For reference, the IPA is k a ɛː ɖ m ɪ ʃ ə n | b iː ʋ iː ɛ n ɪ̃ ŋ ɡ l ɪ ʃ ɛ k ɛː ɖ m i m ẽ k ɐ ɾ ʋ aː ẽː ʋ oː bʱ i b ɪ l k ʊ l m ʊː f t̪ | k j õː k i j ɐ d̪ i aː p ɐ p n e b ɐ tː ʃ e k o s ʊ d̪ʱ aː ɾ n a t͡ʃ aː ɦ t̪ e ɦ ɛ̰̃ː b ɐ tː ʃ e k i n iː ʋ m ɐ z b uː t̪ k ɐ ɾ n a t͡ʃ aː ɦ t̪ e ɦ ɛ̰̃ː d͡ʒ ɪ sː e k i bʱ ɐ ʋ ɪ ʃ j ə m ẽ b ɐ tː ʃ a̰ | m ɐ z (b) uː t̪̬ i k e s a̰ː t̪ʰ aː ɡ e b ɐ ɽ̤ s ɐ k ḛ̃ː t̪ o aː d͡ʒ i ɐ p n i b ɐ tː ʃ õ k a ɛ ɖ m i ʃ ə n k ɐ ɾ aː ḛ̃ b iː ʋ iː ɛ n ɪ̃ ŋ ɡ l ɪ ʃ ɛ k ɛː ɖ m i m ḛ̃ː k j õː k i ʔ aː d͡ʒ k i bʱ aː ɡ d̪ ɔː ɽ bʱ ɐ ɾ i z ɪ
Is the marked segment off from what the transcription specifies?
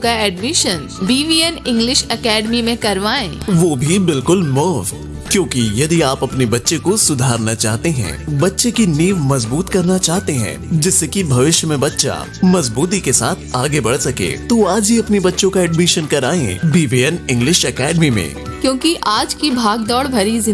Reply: no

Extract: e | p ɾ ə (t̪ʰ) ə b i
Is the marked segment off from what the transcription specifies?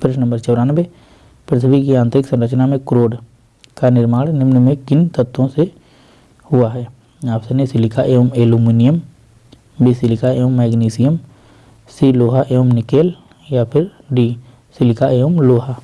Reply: no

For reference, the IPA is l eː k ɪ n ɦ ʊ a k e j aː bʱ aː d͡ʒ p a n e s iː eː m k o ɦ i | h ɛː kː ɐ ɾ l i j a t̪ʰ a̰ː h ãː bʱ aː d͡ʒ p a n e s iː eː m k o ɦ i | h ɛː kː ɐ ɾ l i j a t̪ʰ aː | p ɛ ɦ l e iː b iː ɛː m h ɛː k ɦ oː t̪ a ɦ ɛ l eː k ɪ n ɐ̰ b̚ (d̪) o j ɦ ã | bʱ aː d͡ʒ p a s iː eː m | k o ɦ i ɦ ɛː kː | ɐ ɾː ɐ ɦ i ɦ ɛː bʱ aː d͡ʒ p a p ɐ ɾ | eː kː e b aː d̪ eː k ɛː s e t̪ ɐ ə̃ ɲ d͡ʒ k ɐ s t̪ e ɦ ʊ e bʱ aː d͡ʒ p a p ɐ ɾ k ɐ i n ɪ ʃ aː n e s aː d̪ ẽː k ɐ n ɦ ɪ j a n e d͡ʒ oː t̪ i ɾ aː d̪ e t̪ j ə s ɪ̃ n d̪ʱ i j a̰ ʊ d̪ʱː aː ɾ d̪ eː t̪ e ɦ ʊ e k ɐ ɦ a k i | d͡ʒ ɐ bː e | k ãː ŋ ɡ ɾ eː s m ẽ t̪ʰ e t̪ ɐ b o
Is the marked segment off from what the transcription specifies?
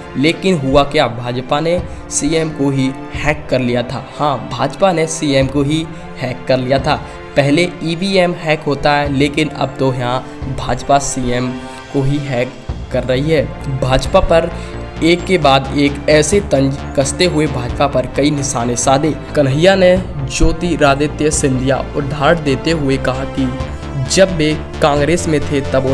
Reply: yes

